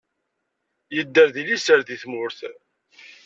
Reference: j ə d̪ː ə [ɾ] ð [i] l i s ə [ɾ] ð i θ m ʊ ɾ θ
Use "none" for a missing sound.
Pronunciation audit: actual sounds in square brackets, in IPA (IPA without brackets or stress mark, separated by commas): ɾ, i, ɾ